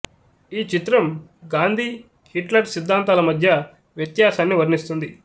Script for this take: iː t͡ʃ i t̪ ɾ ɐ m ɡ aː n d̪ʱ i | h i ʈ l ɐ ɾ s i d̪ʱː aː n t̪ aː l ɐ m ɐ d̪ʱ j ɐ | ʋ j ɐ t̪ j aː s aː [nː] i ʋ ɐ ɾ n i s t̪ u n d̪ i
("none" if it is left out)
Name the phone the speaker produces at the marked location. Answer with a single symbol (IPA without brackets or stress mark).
nː